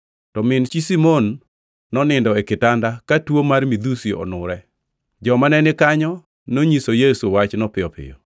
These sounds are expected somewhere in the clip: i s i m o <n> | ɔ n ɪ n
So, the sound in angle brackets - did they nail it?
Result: no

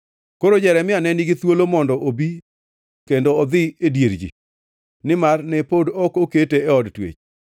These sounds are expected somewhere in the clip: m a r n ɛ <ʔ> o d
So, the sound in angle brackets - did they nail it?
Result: no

